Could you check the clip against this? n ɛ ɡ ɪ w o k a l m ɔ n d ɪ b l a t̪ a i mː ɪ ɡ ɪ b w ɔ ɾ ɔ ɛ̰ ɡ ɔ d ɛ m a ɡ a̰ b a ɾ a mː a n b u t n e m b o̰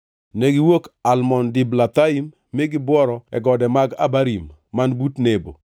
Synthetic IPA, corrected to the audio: n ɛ ɡ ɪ w o k a l m ɔ n d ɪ b l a t̪ a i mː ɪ ɡ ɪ b w ɔ ɾ ɔ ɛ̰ ɡ ɔ d ɛ m a ɡ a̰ b a ɾ i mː a n b u t n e b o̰

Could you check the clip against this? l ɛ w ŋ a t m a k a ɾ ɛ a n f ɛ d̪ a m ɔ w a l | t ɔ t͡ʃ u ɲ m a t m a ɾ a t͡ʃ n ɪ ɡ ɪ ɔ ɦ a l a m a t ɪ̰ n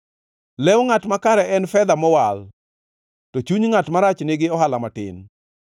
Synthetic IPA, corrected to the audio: l ɛ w ŋ a t m a k a ɾ ɛ ɛ n f ɛ d̪ a m ɔ w a l | t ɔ t͡ʃ u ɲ ŋ a t m a ɾ a t͡ʃ n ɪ ɡ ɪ ɔ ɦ a l a m a t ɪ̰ n

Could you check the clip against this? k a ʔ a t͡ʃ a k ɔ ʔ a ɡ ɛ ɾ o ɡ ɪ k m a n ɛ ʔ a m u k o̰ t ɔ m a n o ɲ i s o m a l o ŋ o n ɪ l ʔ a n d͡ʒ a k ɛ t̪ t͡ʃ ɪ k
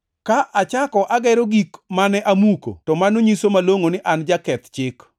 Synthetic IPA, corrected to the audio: k a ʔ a t͡ʃ a k ɔ ʔ a ɡ ɛ ɾ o ɡ i k m a n ɛ ʔ a m u k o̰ t ɔ m a n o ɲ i s o m a l o ŋ o n ɪ ʔ a n d͡ʒ a k ɛ t̪ t͡ʃ ɪ k

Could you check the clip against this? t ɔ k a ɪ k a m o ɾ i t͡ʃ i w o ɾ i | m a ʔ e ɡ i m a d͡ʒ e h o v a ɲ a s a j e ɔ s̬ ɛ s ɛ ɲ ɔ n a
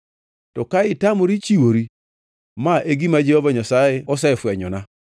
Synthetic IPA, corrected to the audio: t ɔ k a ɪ t a m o ɾ i t͡ʃ i w o ɾ i | m a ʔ e ɡ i m a d͡ʒ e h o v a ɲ a s a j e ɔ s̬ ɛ f ɛ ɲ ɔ n a

